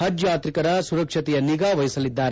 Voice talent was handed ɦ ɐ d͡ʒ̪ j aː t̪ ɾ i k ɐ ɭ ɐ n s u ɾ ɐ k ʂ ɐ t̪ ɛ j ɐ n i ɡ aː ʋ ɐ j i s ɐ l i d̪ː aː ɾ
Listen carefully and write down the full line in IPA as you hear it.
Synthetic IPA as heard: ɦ ɐ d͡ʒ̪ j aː t̪ ɾ i k ɐ ɾ ɐ s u ɾ ɐ k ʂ ɐ t̪ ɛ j ɐ n i ɡ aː ʋ ɐ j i s ɐ l i d̪ː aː ɾ